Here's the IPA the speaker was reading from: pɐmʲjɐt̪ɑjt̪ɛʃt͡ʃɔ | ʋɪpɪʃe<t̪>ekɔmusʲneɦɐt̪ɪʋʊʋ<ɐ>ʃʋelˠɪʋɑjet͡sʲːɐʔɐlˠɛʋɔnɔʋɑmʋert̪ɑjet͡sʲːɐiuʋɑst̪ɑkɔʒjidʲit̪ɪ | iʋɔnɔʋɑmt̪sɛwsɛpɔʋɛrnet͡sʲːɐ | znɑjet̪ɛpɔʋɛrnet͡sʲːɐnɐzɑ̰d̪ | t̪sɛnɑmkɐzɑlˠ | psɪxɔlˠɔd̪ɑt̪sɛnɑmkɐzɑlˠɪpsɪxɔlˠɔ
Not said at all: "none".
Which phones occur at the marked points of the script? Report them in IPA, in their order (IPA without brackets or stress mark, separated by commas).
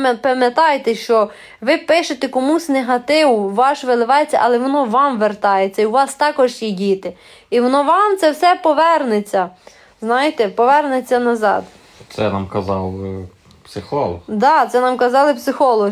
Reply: t̪, ɑ